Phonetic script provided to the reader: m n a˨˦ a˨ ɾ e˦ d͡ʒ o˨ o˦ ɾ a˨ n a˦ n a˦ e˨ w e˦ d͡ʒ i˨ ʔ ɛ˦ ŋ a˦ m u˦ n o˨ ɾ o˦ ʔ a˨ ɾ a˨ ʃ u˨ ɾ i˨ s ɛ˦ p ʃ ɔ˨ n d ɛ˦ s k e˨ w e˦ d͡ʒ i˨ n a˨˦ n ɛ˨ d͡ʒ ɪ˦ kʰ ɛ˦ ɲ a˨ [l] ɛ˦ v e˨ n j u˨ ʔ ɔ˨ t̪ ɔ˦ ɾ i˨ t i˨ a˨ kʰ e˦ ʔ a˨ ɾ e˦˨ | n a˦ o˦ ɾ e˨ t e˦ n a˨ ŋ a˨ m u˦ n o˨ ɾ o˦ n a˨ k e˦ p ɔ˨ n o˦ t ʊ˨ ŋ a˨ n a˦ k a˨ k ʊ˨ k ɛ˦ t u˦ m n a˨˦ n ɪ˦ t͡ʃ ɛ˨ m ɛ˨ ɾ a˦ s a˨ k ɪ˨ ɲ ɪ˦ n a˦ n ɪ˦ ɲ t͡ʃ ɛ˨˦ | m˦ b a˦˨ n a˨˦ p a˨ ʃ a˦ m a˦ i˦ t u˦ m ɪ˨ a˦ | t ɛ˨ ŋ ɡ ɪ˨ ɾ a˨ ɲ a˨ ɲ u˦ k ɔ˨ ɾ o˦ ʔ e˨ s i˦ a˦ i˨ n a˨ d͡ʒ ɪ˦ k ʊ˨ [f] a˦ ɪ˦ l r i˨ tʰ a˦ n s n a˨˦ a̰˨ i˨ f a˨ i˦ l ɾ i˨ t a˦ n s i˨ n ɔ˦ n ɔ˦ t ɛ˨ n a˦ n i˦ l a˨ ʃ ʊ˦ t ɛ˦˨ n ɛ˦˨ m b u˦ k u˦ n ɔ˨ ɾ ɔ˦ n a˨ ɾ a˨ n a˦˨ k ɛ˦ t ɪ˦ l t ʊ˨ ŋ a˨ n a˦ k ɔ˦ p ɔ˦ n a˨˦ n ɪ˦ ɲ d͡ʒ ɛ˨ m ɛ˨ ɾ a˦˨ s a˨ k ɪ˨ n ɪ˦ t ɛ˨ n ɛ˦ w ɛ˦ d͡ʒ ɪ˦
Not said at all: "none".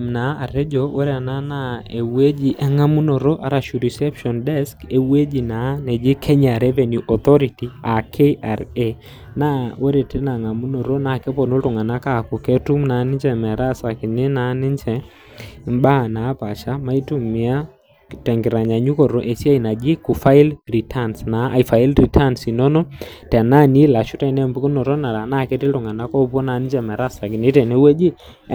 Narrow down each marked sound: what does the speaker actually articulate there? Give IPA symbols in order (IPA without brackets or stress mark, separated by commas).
ɾ, f